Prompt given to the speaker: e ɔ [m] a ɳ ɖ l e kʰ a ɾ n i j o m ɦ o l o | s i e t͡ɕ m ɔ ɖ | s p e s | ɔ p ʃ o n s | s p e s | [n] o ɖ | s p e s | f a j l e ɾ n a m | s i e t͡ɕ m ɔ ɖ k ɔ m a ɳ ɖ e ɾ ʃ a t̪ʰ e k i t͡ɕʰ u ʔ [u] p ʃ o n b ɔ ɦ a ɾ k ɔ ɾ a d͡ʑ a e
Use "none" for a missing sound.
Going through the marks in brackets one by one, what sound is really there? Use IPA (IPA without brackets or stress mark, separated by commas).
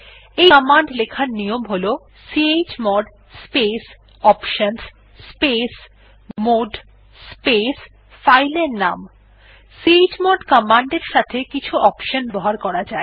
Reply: m, m, ɔ